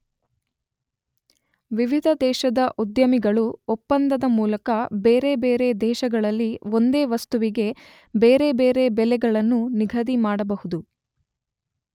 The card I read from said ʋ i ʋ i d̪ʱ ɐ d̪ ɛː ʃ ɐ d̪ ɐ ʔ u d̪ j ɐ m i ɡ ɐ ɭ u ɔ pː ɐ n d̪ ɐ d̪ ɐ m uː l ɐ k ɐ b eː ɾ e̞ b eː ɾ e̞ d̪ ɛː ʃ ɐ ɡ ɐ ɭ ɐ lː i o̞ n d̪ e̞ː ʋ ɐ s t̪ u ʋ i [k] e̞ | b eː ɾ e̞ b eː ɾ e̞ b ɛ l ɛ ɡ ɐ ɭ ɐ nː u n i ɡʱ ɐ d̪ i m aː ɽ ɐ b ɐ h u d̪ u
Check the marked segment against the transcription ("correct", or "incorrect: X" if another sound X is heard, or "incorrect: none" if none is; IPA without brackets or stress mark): incorrect: ɡ